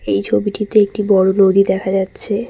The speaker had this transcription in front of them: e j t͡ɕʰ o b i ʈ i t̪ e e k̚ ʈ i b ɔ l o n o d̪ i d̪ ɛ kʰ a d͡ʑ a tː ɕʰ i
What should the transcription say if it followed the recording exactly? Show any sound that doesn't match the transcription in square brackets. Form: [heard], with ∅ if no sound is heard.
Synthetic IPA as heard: e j t͡ɕʰ o b i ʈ i t̪ e e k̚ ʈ i b ɔ [ɽ] o n o d̪ i d̪ ɛ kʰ a d͡ʑ a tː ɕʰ [e]